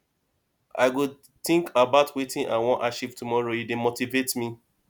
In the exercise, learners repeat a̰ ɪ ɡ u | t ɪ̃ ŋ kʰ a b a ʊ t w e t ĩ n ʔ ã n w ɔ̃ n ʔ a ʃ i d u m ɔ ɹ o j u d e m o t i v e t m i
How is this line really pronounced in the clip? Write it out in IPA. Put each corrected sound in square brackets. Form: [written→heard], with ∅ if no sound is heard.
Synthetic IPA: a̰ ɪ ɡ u | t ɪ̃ ŋ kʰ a b a ʊ t w e t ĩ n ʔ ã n w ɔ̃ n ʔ a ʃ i [d→t] u m ɔ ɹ o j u d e m o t i v e t m i